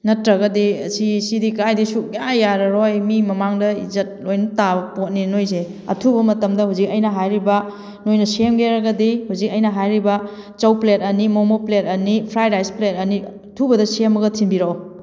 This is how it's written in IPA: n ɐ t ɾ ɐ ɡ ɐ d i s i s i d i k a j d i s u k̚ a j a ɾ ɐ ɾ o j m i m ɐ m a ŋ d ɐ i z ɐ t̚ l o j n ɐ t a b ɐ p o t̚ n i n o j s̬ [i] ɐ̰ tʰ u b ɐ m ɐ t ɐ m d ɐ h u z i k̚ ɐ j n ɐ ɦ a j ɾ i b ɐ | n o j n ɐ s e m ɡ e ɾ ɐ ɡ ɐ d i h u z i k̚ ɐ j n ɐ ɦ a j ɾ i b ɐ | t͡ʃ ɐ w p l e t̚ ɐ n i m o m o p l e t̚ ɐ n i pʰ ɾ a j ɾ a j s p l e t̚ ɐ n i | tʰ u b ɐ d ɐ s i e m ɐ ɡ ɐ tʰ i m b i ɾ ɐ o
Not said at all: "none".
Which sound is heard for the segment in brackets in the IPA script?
e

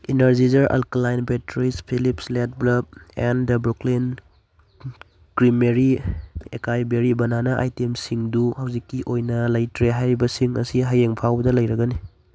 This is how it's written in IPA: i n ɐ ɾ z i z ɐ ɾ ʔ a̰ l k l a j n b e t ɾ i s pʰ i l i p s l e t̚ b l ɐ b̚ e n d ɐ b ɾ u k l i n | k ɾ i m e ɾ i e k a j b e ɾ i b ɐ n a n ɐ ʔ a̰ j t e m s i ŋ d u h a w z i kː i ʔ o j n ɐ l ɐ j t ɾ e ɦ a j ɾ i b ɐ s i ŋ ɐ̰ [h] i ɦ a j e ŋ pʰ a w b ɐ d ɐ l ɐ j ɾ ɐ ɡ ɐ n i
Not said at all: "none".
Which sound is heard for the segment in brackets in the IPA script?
s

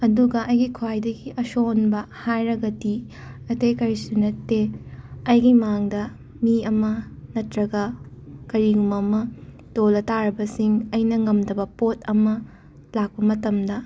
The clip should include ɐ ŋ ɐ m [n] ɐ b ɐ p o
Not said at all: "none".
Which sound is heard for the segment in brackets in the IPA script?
d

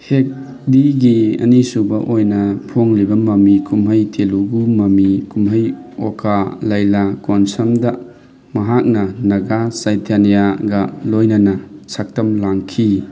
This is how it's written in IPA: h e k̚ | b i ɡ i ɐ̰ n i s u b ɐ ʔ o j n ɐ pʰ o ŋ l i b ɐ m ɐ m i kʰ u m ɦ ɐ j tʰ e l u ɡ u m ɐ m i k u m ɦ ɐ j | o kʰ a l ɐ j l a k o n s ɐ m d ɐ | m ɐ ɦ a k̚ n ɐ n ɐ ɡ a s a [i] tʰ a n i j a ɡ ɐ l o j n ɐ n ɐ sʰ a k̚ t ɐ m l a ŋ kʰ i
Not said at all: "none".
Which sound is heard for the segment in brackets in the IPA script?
j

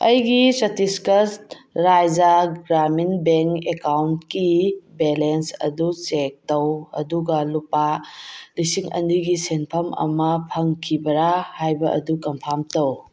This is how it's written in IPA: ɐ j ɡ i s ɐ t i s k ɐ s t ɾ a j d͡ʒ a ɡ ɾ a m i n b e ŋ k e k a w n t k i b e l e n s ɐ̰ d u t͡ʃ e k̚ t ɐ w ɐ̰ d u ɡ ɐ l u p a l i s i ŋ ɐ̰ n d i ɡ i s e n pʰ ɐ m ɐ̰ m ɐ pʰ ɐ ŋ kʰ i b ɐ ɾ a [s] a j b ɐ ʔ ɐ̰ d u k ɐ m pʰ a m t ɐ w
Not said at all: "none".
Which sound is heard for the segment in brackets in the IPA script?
h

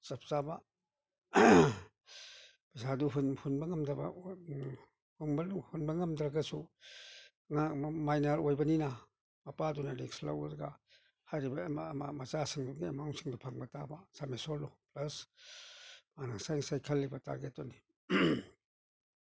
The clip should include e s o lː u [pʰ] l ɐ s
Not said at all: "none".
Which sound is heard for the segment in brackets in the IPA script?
p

